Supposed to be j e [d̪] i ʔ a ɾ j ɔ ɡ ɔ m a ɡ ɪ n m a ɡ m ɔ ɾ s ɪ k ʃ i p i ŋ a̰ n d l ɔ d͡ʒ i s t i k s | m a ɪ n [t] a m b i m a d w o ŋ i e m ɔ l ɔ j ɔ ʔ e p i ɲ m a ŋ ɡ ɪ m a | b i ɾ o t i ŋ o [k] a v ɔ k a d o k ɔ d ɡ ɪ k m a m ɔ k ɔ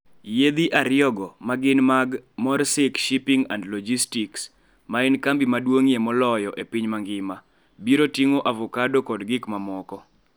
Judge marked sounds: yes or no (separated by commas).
yes, no, no